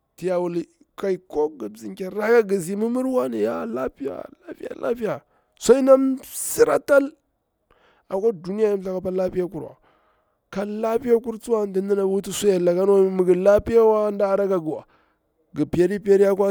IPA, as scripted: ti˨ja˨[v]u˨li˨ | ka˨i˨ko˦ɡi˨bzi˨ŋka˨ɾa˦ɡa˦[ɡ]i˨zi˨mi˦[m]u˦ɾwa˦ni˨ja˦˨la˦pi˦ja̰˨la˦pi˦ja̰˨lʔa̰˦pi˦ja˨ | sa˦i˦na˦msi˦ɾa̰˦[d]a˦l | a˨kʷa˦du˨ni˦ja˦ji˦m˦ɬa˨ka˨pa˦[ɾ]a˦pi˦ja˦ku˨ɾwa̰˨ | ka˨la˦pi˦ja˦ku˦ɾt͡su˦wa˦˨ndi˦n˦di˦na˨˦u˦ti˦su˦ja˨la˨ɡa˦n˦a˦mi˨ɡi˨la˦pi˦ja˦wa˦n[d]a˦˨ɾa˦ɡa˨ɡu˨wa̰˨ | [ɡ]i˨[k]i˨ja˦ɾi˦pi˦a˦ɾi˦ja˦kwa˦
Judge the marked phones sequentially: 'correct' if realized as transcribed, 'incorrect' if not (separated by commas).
incorrect, correct, correct, incorrect, incorrect, correct, correct, incorrect